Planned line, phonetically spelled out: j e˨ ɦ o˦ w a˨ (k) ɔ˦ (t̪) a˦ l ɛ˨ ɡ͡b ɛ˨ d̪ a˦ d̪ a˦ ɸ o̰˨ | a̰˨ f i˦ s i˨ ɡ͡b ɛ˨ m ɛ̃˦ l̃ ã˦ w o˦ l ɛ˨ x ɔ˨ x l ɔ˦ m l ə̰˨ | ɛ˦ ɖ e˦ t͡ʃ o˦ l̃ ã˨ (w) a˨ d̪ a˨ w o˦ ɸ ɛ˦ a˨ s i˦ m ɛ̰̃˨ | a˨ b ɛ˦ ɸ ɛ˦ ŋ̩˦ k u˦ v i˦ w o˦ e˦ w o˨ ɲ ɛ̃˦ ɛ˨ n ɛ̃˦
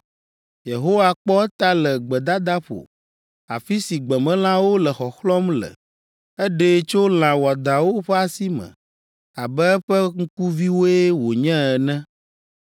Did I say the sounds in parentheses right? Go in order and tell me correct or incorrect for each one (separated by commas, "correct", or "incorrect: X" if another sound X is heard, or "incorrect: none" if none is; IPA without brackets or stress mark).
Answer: incorrect: k͡p, correct, correct